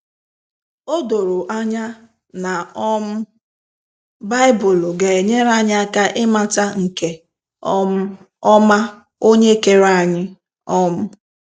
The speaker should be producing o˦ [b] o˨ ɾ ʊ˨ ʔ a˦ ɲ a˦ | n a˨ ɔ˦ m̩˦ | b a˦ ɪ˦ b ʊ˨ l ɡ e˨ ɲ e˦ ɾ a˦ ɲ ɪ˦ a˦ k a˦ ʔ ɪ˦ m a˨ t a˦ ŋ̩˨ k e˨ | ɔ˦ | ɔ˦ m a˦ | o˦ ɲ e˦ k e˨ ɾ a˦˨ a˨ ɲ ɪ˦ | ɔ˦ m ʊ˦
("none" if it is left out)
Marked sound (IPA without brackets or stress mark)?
d